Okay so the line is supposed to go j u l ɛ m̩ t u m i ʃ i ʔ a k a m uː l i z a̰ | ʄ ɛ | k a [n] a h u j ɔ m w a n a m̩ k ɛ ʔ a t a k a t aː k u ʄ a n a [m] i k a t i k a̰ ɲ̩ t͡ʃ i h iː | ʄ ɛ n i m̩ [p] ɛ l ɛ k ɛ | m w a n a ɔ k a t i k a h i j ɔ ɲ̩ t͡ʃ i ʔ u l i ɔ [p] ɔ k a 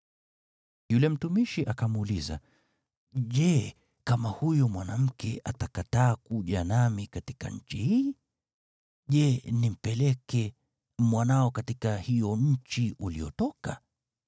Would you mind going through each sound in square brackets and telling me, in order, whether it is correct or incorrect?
incorrect, correct, correct, incorrect

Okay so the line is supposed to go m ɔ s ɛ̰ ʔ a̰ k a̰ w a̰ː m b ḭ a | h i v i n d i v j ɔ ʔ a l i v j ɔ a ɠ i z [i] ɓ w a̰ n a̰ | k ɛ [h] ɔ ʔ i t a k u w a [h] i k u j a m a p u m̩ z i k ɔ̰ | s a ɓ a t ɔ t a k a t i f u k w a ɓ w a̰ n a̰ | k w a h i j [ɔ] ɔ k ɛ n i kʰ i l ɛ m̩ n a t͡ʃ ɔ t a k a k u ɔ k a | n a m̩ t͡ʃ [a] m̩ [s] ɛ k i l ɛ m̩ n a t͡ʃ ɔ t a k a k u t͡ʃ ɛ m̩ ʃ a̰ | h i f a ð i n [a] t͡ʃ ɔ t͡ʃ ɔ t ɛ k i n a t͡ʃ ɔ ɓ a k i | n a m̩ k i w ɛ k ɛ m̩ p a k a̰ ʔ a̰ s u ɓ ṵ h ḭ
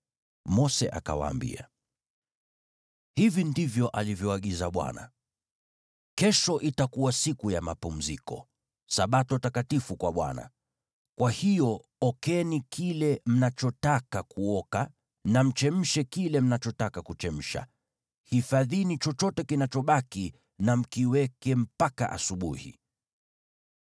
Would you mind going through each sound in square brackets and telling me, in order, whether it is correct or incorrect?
incorrect, incorrect, incorrect, correct, incorrect, incorrect, incorrect

